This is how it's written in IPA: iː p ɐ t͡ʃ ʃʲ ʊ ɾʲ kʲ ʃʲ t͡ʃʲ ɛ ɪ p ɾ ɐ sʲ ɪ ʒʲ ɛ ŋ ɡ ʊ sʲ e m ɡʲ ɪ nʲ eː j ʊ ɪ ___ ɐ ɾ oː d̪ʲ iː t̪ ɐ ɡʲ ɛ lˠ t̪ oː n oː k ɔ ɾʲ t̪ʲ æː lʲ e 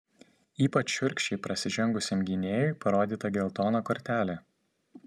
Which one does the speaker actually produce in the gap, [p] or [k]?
p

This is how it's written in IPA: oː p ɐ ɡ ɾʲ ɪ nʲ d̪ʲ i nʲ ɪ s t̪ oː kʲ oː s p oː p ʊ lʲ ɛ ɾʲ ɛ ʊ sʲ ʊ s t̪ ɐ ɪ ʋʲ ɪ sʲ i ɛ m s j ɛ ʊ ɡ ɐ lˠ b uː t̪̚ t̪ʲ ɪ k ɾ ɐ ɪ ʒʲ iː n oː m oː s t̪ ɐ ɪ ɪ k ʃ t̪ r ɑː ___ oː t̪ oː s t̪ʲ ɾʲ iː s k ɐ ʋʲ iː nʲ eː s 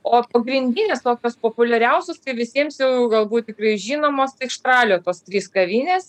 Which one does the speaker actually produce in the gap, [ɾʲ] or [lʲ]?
lʲ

